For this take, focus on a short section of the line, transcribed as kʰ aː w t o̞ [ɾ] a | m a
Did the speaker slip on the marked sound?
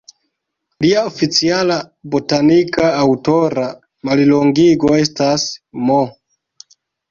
no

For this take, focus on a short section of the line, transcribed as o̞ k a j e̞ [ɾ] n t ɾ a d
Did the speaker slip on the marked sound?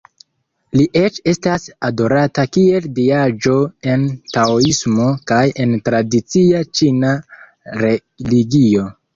yes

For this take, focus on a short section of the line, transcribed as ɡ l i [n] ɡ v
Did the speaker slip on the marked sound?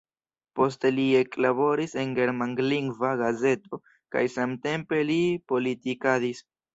yes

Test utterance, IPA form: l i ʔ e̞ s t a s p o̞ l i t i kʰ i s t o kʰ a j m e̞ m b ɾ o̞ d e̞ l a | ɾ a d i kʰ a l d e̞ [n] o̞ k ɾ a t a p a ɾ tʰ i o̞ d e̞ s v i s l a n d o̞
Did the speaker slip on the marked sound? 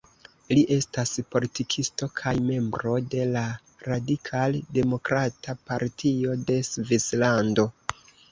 yes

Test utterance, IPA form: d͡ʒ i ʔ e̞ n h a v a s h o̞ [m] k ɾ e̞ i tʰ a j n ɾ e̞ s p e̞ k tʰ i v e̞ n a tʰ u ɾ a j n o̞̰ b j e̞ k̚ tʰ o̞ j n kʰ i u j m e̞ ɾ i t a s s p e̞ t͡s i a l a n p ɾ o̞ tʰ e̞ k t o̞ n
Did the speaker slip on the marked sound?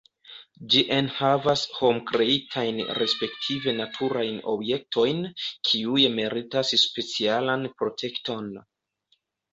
no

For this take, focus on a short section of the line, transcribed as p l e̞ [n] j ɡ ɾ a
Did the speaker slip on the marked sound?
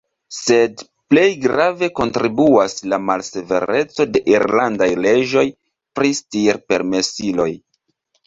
yes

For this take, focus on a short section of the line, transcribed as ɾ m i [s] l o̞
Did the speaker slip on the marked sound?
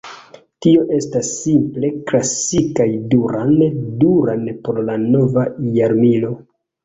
yes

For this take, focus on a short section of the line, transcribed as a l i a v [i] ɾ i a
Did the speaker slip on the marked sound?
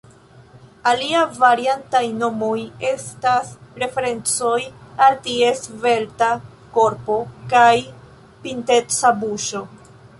yes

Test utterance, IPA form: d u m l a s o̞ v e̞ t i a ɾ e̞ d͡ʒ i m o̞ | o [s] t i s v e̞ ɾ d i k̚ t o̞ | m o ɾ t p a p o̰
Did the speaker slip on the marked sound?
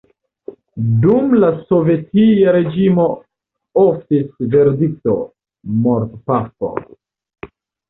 yes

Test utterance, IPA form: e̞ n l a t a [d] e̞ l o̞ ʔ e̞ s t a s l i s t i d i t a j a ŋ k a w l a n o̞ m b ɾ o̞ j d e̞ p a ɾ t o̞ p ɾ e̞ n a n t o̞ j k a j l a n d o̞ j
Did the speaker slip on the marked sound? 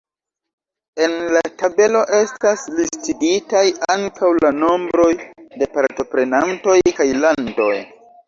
yes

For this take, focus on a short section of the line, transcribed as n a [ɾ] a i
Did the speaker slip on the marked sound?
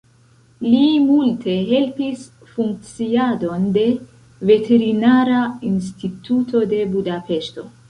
no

